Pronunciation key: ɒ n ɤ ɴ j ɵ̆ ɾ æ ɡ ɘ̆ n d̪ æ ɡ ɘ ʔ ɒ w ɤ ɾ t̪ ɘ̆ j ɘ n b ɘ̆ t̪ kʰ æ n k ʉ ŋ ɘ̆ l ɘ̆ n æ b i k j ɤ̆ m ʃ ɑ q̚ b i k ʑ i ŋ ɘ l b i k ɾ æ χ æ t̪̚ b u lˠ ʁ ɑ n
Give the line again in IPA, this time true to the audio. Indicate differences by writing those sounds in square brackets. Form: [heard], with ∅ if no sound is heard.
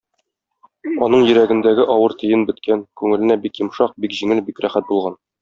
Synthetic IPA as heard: ɒ n ɤ ɴ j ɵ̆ ɾ æ ɡ ɘ̆ n d̪ æ ɡ ɘ ʔ ɒ w ɤ ɾ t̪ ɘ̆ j ɘ n b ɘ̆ t̪ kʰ æ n k ʉ ŋ ɘ̆ l ɘ̆ n æ b i k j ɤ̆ m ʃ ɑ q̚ b i k ʑ i ŋ ɘ l b i k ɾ æ χ æ t̪̚ b u lˠ ʁ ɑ n